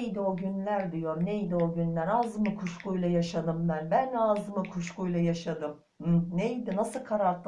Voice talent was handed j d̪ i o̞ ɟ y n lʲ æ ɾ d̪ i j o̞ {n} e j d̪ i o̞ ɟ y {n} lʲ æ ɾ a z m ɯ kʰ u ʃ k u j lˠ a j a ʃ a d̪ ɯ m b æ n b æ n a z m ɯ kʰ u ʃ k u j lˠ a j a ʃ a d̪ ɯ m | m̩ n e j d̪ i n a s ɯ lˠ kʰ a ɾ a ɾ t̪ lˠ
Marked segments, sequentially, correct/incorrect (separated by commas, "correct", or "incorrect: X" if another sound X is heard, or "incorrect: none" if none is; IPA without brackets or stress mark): correct, correct